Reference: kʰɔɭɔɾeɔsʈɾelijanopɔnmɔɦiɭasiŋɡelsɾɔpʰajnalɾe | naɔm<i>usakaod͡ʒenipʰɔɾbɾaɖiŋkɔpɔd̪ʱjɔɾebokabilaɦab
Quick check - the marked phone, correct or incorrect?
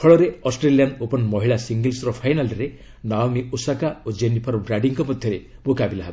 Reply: correct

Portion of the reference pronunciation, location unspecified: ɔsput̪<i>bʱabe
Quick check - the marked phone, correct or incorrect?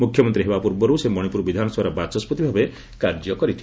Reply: correct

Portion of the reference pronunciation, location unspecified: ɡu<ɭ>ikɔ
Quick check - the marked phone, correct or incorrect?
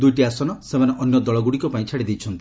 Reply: incorrect: ɽ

